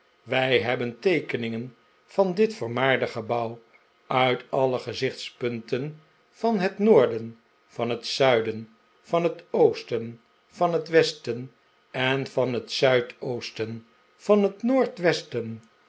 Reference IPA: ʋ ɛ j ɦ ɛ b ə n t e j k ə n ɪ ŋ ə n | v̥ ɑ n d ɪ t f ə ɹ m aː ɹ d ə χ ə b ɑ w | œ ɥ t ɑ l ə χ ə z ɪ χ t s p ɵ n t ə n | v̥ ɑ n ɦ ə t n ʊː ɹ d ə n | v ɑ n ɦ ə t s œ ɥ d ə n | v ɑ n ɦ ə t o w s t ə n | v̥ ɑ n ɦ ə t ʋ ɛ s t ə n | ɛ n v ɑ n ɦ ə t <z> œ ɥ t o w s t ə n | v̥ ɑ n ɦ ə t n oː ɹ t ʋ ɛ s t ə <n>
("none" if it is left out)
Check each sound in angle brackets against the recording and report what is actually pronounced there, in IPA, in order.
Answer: s, n

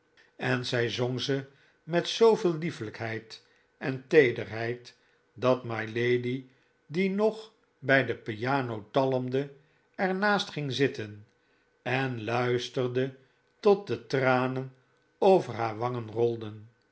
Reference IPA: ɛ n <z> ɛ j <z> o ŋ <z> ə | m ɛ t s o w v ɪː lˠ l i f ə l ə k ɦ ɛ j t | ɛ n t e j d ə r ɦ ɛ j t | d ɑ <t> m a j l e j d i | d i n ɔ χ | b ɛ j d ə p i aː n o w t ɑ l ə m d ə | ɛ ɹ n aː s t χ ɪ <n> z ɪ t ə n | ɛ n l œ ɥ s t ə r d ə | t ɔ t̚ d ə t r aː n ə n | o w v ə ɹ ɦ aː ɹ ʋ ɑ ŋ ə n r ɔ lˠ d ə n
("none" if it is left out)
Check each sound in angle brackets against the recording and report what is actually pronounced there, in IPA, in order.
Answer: z, z, z, t, ŋ

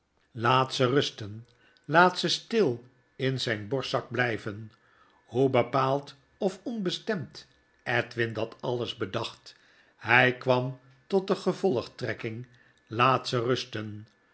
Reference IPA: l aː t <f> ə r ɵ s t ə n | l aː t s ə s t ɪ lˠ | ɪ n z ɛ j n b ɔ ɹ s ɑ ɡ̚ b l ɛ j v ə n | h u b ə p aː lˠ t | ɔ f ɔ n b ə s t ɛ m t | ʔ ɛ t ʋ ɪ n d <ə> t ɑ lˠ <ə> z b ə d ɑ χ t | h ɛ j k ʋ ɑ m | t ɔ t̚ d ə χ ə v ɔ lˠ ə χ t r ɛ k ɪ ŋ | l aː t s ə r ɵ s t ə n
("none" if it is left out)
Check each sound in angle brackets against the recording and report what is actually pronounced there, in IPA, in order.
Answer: s, ɑ, ə

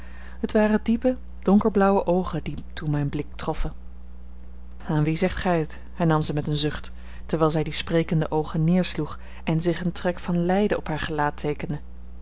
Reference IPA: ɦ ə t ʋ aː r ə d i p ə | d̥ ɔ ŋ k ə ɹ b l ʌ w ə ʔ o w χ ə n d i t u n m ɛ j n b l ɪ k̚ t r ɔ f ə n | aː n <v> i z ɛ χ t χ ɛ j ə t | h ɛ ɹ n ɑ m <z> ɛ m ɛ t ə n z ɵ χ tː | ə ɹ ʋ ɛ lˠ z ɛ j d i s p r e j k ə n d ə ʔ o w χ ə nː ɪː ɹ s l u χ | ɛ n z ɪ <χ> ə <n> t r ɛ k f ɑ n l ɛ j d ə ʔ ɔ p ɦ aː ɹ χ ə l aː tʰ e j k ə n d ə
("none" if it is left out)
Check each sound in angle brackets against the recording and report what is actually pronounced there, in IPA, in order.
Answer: ʋ, z, χ, n

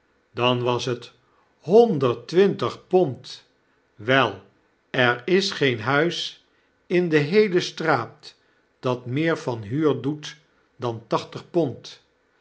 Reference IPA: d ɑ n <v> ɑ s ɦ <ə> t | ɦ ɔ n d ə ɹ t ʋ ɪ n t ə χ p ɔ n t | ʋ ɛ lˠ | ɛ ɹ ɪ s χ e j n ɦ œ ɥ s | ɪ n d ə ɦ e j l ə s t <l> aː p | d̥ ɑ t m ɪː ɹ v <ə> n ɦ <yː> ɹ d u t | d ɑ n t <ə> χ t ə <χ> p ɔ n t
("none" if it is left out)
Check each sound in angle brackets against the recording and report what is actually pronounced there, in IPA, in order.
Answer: ʋ, ə, r, ɑ, yː, ɑ, χ

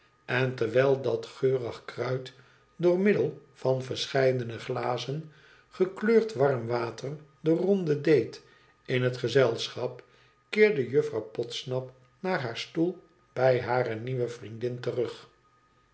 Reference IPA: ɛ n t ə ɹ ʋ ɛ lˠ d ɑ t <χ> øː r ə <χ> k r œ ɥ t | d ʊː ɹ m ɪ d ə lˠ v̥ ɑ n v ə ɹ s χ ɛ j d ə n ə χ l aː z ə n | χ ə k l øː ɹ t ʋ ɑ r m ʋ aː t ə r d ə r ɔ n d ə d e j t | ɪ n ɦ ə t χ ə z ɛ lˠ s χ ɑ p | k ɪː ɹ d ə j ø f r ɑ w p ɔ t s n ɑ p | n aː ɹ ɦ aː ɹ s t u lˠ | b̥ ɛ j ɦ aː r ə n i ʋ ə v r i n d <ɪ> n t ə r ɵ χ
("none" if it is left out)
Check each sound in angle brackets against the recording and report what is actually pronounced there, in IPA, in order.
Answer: χ, χ, ɪ

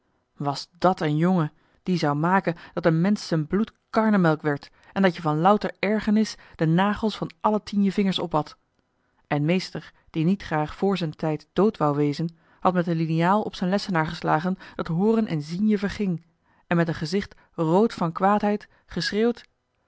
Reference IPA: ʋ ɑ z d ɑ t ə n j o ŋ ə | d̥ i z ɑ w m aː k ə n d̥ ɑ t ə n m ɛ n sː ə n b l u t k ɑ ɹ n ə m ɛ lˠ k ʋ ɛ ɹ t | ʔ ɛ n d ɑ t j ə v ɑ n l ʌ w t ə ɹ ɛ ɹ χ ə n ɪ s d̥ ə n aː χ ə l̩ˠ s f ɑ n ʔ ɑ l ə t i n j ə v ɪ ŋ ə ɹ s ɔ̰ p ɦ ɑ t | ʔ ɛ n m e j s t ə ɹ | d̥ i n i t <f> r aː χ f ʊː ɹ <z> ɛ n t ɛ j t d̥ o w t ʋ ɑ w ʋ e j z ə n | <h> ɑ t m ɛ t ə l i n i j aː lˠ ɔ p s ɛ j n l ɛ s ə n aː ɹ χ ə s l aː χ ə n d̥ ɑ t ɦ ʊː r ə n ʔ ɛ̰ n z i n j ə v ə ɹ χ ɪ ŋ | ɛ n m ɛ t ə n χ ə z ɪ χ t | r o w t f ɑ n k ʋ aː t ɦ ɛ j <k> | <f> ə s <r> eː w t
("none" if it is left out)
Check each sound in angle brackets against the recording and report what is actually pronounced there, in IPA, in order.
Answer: χ, z, h, t, χ, r

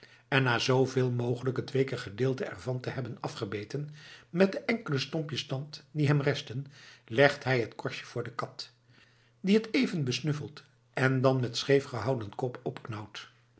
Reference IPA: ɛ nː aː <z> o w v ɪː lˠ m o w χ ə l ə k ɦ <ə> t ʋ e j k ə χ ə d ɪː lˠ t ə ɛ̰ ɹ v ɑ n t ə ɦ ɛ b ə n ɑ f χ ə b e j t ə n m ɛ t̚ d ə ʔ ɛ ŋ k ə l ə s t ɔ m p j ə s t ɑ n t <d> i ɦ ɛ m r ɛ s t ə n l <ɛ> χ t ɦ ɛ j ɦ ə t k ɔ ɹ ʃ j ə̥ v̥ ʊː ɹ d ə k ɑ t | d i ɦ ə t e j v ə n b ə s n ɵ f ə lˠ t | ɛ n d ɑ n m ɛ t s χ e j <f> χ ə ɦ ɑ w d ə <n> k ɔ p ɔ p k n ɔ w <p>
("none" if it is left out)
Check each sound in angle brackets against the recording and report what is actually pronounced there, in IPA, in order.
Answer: z, ə, d, ɛ, f, n, t

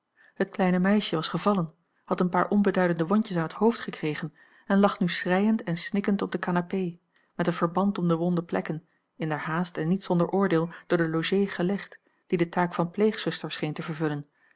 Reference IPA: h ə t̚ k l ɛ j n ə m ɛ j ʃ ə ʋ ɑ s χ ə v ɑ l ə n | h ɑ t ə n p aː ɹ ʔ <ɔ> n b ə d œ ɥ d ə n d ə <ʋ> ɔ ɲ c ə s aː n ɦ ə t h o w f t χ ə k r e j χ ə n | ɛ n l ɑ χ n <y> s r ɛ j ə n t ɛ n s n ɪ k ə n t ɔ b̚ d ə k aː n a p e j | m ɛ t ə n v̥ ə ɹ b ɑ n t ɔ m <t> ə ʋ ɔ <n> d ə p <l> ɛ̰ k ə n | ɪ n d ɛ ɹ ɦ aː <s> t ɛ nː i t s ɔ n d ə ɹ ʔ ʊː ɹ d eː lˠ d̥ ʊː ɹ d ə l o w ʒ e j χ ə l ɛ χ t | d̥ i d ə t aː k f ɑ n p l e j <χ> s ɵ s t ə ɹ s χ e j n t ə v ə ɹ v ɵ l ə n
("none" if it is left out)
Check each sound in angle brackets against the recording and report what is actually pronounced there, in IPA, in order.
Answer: ɔ, ʋ, y, d, n, l, s, χ

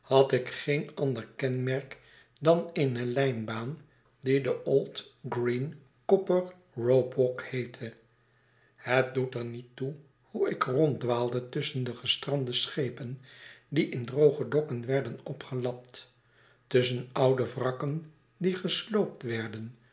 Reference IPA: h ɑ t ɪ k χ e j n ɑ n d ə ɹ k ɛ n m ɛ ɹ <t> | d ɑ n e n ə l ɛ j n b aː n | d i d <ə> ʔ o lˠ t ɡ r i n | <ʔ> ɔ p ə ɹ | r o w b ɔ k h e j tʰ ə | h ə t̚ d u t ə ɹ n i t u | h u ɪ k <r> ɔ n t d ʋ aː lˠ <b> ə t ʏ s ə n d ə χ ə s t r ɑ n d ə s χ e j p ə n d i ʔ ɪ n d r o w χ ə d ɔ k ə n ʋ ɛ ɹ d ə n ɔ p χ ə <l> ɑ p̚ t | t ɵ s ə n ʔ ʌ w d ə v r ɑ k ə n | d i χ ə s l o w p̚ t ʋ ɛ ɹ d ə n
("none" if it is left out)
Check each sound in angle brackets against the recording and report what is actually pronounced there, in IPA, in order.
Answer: k, ə, k, r, d, l

